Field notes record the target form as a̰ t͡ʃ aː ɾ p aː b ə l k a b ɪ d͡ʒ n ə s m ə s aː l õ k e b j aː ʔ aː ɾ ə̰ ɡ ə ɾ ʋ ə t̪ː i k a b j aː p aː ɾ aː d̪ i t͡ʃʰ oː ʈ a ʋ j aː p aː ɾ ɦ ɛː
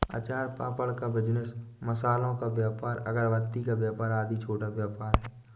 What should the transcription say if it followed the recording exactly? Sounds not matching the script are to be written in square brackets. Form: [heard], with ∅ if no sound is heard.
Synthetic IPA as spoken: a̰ t͡ʃ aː ɾ p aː [p] ə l k a b ɪ d͡ʒ n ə s m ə s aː l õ k [a] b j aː [p] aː ɾ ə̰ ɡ ə ɾ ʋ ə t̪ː i k a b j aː p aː ɾ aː d̪ i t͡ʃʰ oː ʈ a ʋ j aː p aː ɾ ɦ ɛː